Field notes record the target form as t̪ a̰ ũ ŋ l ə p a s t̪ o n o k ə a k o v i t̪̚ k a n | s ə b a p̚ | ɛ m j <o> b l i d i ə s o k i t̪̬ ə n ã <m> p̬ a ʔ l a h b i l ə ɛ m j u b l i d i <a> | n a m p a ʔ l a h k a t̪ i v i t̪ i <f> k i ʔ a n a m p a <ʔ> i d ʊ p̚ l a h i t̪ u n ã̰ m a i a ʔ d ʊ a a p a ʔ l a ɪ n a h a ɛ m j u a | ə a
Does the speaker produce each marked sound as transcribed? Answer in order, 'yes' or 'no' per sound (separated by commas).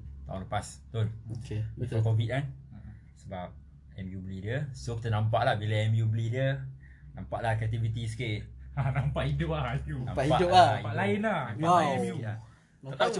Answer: no, yes, no, no, yes